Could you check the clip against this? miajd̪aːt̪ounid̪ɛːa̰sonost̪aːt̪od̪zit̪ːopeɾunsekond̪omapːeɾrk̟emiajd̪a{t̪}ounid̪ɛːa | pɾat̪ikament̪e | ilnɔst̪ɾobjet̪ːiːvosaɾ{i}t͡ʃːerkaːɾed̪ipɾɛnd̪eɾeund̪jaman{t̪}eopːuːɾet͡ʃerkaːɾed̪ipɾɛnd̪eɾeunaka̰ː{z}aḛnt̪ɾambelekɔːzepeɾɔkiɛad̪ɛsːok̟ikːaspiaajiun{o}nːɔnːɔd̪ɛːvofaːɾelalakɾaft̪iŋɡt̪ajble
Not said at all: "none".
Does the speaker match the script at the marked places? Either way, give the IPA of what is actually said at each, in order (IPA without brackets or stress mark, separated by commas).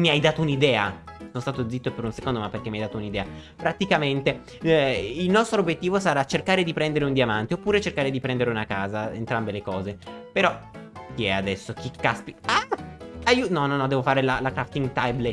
t̪, a, t̪, z, ɔ